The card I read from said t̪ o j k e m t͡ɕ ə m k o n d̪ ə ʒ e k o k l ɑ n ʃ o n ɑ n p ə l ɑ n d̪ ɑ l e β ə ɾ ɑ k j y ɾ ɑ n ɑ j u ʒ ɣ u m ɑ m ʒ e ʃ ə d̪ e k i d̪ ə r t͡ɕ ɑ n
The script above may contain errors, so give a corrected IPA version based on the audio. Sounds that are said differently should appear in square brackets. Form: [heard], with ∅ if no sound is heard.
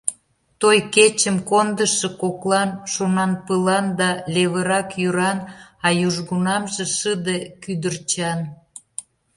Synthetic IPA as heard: t̪ o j k e [∅] t͡ɕ ə m k o n d̪ ə [ʃ] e k o k l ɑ n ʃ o n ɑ n p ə l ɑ n d̪ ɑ l e β ə ɾ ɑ k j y ɾ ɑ n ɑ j u ʒ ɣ u [n] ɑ m ʒ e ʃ ə d̪ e k [y] d̪ ə r t͡ɕ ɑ n